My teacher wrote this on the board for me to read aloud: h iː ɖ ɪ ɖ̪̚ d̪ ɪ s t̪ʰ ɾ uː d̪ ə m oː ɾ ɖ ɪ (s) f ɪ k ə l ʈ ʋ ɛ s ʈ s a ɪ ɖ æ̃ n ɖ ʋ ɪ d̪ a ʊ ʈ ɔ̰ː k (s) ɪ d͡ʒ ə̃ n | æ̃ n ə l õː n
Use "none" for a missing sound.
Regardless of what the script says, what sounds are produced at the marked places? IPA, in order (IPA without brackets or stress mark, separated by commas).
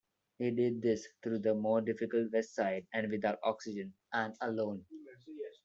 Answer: none, s